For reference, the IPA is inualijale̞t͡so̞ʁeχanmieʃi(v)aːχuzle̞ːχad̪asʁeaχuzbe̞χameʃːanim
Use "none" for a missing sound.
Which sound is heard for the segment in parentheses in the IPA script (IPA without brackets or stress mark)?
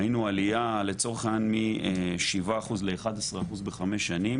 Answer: v